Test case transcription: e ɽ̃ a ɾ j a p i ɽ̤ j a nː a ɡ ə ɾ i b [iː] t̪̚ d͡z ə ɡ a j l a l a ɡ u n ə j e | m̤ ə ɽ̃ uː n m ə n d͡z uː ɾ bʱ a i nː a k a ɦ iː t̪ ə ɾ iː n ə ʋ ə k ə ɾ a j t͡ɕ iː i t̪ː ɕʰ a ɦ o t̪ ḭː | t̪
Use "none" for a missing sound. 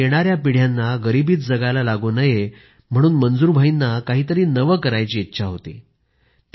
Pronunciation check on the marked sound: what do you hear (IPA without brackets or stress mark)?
iː